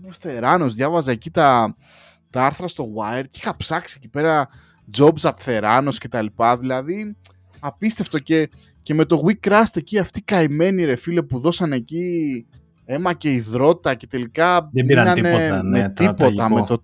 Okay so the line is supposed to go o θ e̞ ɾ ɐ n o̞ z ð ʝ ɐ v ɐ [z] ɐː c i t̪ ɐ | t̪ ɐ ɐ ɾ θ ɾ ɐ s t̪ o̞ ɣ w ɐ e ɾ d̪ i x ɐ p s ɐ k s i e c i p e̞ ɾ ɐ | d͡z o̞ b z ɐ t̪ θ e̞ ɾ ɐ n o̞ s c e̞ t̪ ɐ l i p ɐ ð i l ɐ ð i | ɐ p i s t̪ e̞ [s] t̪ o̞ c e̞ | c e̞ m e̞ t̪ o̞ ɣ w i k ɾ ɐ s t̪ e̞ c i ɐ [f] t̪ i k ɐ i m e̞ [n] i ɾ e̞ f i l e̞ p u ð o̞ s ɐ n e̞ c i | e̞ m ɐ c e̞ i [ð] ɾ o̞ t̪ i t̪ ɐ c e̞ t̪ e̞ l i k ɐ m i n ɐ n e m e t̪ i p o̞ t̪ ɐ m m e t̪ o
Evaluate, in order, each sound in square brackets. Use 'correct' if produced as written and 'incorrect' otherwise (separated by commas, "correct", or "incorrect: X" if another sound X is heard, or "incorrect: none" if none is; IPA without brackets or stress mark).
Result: correct, incorrect: f, correct, correct, correct